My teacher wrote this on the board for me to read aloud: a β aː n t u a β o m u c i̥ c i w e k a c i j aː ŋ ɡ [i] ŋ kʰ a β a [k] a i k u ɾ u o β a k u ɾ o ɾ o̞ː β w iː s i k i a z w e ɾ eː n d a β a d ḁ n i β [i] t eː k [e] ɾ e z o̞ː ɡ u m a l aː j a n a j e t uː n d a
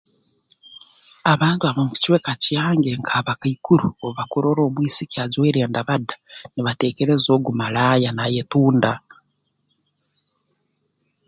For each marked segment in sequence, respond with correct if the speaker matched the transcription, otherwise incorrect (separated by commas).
incorrect, correct, incorrect, correct